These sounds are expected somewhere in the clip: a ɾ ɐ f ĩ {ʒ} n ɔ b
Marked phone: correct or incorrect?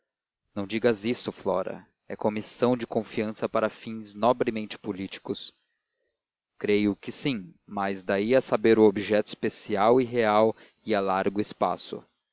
incorrect